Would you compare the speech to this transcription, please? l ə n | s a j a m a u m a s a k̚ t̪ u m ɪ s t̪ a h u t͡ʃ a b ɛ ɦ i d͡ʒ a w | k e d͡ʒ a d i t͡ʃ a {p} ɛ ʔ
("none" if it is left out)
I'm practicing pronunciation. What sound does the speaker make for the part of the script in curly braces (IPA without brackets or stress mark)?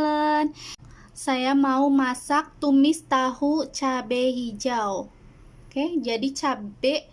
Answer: b